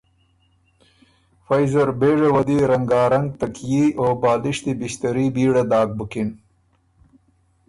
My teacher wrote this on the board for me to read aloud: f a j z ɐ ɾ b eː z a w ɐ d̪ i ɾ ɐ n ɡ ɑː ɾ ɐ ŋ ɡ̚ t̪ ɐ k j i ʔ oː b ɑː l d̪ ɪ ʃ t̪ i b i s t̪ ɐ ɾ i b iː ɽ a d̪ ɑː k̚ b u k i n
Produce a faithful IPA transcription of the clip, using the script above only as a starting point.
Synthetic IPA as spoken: f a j z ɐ ɾ b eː ʐ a w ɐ d̪ i ɾ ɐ ŋ ɡ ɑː ɾ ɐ ŋ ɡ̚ t̪ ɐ k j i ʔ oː b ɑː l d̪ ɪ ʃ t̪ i b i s t̪ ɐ ɾ i b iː ɽ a d̪ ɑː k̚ b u k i n